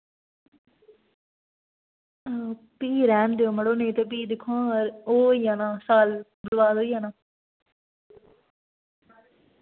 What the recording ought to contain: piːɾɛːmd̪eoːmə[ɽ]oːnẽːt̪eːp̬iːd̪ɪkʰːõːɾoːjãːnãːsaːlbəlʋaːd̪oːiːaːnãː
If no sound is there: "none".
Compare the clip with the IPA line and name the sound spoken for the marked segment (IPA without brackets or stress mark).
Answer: ɽ